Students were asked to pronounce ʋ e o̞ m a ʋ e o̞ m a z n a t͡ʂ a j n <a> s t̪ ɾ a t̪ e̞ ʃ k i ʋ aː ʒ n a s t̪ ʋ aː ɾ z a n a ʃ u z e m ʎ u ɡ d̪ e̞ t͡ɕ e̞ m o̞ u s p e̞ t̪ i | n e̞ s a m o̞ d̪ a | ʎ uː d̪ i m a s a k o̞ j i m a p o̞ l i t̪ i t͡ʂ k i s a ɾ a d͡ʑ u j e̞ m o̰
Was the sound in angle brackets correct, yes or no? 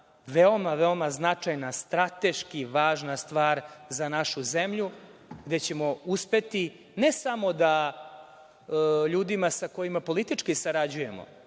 yes